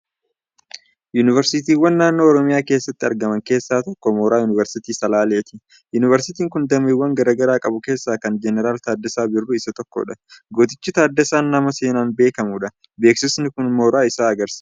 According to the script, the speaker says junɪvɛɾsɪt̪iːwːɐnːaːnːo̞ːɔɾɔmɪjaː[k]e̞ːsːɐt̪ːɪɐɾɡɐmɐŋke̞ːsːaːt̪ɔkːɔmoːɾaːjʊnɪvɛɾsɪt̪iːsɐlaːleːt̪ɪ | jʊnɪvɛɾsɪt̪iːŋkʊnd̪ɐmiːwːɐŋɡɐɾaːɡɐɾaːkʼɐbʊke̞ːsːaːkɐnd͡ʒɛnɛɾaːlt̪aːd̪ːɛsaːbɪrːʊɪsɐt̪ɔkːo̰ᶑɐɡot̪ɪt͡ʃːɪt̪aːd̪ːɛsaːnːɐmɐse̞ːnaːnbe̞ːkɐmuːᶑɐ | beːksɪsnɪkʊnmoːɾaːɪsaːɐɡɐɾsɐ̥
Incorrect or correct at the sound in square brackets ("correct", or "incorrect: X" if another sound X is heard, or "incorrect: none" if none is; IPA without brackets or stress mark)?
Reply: correct